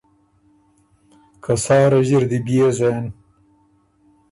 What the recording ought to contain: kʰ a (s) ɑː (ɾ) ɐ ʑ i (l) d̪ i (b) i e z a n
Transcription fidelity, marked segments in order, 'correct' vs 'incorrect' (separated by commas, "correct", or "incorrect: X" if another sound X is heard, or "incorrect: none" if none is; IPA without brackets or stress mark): correct, correct, incorrect: ɾ, correct